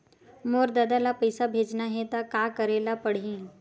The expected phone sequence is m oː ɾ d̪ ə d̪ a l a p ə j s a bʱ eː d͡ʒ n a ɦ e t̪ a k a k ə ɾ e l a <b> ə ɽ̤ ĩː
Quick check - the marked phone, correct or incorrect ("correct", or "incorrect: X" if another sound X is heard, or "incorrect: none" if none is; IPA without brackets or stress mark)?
incorrect: p